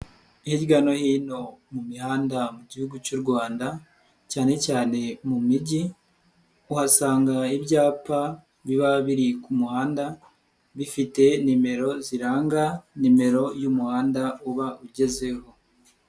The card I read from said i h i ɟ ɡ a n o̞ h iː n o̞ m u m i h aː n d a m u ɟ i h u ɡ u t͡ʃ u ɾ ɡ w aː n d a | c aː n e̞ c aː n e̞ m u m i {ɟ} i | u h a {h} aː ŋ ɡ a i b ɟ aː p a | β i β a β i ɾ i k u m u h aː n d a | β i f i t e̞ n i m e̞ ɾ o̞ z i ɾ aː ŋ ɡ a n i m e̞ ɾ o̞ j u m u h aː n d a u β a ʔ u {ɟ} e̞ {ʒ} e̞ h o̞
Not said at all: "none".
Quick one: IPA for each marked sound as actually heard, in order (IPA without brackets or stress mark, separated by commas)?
ɟ, s, ɟ, z